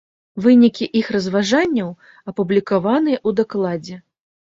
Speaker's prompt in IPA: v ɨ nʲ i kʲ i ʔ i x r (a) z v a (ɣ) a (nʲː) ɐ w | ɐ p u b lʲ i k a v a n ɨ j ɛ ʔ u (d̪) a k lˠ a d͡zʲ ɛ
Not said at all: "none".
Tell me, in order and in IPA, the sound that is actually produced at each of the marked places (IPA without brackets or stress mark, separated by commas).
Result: ɐ, ʐ, nʲː, d̪